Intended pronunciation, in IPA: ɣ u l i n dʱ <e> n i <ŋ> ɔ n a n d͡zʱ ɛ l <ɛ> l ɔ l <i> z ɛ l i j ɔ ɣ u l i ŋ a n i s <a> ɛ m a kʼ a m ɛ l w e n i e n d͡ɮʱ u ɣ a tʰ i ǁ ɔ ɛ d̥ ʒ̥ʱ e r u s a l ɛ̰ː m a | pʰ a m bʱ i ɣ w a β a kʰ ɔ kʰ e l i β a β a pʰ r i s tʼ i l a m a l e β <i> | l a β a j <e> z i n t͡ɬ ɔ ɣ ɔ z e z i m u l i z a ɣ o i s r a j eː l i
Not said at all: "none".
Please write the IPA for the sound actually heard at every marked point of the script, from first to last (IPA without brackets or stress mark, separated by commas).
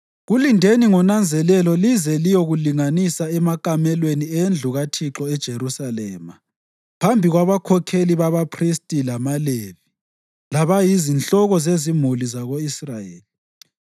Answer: e, ŋ, ɛ, i, a, i, i